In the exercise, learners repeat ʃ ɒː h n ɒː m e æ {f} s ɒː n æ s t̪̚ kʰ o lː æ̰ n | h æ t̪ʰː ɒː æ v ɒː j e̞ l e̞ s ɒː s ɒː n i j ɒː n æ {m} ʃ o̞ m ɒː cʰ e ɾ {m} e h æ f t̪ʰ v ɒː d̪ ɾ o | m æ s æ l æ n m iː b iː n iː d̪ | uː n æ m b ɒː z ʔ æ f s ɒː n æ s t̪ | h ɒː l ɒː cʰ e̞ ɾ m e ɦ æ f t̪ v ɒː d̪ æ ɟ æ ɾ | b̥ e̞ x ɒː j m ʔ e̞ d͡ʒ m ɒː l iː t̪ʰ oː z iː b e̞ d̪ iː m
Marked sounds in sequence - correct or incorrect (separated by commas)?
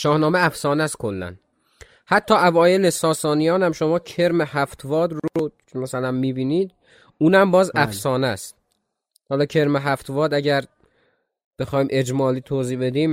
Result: correct, correct, correct